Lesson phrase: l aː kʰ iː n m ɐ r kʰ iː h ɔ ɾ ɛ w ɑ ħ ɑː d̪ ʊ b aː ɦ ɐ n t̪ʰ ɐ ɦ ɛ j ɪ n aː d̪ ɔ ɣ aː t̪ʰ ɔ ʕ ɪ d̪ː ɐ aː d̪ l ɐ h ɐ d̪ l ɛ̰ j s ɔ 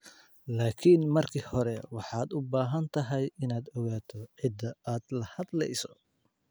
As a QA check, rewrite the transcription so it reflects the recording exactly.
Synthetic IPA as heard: l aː kʰ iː n m ɐ r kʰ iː h ɔ ɾ ɛ w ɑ ħ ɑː d̪ ʊ b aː ɦ ɐ n t̪ʰ ɐ ɦ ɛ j ɪ n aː d̪ ɔ ɣ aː t̪ʰ ɔ ʕ ɪ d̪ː ɐ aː d̪ l ɐ h ɐ d̪ l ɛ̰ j s ɔ